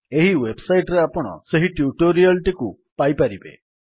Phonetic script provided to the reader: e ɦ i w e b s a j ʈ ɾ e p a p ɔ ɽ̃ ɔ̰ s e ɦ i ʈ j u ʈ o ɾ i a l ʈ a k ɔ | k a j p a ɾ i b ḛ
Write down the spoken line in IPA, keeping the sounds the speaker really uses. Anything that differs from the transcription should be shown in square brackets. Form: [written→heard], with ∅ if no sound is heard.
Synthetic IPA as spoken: e ɦ i w e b s a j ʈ ɾ e [p→∅] a p ɔ ɽ̃ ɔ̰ s e ɦ i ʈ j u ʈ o ɾ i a l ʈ [a→i] k [ɔ→u] | [k→p] a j p a ɾ i b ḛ